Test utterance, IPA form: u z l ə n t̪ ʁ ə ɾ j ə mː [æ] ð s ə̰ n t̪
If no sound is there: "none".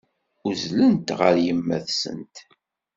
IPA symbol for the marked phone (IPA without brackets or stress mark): æ